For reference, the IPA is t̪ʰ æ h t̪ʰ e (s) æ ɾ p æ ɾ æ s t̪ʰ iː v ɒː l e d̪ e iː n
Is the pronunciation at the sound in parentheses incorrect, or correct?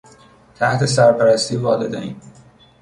correct